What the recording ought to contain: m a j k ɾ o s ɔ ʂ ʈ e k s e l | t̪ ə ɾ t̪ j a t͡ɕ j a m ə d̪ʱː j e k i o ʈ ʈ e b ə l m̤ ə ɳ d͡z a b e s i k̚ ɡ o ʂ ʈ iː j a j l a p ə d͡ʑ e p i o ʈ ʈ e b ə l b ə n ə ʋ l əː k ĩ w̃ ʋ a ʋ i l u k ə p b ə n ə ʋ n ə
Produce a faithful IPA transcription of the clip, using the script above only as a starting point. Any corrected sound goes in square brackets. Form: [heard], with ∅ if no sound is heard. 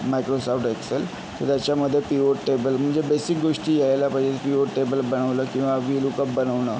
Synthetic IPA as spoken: m a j k ɾ o s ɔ [f] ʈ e k s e l | t̪ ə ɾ t̪ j a t͡ɕ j a m ə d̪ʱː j e [p] i o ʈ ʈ e b ə l m̤ ə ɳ d͡z [e] b e s i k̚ ɡ o ʂ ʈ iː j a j l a p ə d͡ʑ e p i o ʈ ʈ e b ə l b ə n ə ʋ l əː k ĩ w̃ ʋ a ʋ i l u k ə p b ə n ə ʋ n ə